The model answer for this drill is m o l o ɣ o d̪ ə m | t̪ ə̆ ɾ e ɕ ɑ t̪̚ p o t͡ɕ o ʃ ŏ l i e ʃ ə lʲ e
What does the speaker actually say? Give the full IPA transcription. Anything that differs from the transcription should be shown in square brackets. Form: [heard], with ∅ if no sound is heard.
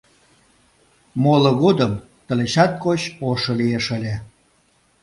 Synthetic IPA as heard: m o l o ɣ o d̪ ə m | t̪ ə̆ [l] e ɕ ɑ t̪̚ [k] o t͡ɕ o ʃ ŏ l i e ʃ ə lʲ e